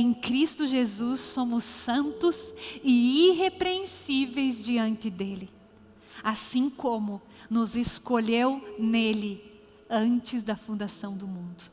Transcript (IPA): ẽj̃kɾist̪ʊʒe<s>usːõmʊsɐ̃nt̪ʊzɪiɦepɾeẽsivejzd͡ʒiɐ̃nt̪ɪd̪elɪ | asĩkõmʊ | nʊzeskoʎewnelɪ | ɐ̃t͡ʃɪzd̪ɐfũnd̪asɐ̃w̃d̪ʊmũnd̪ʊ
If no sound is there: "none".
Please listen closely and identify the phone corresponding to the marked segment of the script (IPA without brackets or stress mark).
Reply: z